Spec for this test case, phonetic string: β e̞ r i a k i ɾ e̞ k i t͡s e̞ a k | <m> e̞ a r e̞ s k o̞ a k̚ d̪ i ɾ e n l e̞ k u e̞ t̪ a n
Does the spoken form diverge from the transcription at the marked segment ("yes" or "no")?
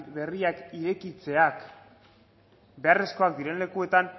yes